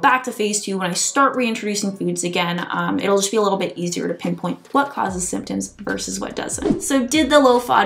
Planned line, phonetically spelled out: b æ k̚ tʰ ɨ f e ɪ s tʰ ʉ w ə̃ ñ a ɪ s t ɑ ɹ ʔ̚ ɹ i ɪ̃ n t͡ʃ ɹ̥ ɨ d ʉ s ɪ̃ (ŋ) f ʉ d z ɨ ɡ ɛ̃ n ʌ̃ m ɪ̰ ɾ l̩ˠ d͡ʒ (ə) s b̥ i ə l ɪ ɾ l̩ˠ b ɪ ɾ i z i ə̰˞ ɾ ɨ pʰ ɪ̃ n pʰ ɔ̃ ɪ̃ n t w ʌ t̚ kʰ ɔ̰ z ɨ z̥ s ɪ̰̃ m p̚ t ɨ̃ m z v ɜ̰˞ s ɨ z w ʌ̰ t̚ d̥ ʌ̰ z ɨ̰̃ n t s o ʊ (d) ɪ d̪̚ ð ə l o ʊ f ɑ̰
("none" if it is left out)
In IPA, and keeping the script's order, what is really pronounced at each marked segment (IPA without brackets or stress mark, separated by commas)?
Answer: ŋ, ʌ, d